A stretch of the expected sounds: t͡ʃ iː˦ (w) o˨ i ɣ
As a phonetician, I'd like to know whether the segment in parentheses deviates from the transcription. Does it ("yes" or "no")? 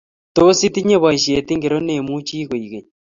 yes